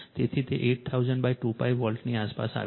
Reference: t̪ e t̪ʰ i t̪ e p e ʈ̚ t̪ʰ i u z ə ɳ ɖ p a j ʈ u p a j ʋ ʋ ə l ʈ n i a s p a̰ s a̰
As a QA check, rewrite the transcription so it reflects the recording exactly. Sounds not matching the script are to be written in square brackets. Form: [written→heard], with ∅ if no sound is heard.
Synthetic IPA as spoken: t̪ e t̪ʰ i t̪ e [p→ʔ] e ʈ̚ t̪ʰ [i→a] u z ə ɳ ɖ [p→b] a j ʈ u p a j ʋ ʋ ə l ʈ n i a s p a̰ s a̰

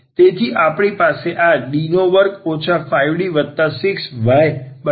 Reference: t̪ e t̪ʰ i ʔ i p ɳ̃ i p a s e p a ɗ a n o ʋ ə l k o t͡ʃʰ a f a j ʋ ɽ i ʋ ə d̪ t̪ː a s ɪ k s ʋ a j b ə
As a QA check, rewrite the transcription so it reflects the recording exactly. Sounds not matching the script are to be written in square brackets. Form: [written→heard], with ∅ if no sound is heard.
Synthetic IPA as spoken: t̪ e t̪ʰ i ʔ [i→a] p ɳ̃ i p a s e [p→ʔ] a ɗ [a→i] n o ʋ ə [l→ɾ] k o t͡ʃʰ a f a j ʋ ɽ i ʋ ə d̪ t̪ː a s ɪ k s ʋ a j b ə

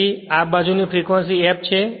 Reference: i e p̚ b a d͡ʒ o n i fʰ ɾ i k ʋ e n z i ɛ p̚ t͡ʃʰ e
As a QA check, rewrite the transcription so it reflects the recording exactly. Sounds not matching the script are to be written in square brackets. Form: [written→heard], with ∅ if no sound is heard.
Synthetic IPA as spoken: i [e→a] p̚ b a d͡ʒ [o→u] n i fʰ ɾ i k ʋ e n [z→s] i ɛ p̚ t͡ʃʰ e

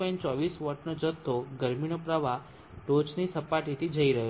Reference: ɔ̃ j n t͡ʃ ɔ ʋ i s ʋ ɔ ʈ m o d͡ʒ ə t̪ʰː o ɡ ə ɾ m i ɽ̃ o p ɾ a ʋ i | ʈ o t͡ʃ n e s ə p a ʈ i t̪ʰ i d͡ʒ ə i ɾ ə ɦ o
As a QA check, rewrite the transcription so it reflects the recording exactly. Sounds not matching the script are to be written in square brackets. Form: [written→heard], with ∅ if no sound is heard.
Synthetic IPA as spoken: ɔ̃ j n t͡ʃ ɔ ʋ i s ʋ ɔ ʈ [m→n] o d͡ʒ ə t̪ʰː o ɡ ə ɾ m i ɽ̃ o p ɾ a ʋ [i→a] | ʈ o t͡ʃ n [e→i] s ə p a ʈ i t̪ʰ i d͡ʒ ə i ɾ ə ɦ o

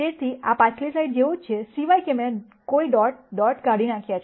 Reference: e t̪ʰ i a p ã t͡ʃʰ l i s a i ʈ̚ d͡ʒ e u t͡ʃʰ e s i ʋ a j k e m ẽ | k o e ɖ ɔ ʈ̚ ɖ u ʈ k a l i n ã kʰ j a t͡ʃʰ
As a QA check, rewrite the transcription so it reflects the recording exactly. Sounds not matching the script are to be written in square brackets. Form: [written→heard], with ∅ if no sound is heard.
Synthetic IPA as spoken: e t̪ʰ i a p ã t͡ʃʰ l i s a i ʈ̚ d͡ʒ e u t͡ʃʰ e s i ʋ a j k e m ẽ | k o [e→i] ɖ ɔ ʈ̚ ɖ [u→ɔ] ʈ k a [l→ɽ] i n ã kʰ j a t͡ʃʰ

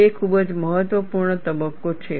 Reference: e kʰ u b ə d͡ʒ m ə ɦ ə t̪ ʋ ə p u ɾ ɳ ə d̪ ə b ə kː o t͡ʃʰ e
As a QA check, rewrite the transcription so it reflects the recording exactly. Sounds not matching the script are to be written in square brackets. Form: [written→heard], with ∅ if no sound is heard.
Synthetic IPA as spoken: e kʰ u b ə d͡ʒ m ə ɦ ə t̪ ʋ ə p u ɾ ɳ ə [d̪→t̪] ə b ə kː o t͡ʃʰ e

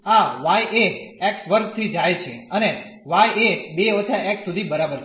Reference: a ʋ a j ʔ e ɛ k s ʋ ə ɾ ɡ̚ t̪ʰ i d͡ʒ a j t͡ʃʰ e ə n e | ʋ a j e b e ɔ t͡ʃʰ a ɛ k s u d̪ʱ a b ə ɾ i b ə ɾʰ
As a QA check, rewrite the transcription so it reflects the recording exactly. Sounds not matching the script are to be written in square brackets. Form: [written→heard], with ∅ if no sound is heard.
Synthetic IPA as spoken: a ʋ a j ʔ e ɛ k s ʋ ə ɾ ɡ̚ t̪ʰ i d͡ʒ a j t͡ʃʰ e ə n e | ʋ a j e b e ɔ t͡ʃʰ a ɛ k s u d̪ʱ [a→i] b ə ɾ [i→a] b ə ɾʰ

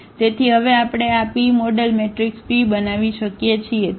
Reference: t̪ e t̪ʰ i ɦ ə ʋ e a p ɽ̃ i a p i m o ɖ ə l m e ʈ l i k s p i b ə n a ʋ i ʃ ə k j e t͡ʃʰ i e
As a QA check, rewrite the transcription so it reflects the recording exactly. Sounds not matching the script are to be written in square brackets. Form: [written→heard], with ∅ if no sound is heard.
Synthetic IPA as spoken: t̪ e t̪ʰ i ɦ ə ʋ e a p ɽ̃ [i→e] a p i m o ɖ ə l m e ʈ [l→ɾ] i k s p i b ə n a ʋ i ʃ ə k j e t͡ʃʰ i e

